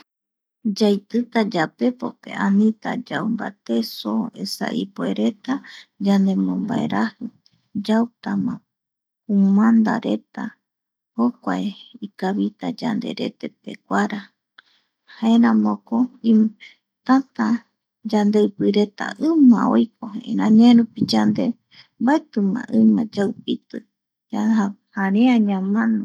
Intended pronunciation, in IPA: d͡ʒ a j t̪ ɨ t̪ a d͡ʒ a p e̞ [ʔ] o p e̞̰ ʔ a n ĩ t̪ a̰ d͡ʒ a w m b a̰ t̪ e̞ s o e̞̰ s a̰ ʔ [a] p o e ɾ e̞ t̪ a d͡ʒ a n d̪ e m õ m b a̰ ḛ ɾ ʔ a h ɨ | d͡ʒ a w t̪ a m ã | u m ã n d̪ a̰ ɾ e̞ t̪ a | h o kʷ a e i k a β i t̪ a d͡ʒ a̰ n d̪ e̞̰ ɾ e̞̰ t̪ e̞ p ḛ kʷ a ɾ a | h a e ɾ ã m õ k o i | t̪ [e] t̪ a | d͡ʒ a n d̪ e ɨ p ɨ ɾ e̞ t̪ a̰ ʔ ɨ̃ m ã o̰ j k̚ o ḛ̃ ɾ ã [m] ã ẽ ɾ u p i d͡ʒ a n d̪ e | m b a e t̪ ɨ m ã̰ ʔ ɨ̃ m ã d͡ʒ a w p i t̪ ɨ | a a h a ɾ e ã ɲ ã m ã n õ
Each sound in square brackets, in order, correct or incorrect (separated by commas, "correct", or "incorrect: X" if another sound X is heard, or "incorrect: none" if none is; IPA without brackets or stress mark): incorrect: p, incorrect: i, incorrect: a, incorrect: ɲ